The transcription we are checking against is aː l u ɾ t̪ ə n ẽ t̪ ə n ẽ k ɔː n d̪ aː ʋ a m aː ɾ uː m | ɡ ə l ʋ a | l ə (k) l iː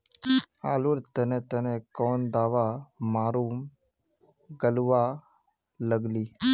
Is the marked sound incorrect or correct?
incorrect: ɡ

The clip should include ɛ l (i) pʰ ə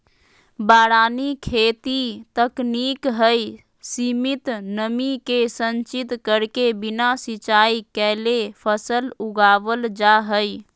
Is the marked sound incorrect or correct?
incorrect: e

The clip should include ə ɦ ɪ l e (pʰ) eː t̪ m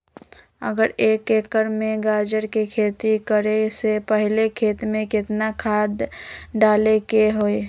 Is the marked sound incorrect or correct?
incorrect: kʰ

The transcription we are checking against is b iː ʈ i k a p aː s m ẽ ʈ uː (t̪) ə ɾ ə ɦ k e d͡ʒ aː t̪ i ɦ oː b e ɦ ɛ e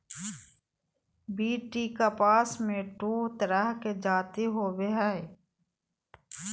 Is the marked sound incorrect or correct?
correct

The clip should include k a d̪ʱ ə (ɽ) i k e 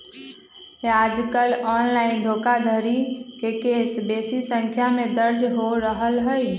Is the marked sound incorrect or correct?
incorrect: ɾ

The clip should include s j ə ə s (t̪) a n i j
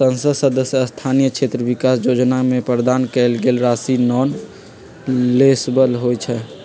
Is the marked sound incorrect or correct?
incorrect: t̪ʰ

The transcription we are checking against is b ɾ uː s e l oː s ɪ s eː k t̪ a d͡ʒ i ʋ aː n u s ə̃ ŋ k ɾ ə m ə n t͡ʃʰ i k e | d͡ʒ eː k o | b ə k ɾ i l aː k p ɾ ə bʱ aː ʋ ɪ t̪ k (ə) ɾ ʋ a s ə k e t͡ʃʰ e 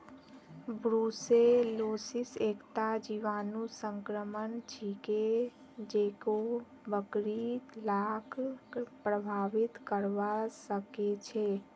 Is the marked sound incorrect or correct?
correct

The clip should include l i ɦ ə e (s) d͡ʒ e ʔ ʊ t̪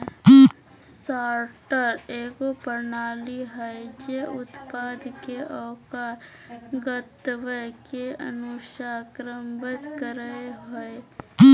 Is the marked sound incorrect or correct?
incorrect: none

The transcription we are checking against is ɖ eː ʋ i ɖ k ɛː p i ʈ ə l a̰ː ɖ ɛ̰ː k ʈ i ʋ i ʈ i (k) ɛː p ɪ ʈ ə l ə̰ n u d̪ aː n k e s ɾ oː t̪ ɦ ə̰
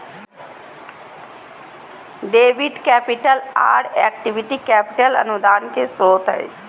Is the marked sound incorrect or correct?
correct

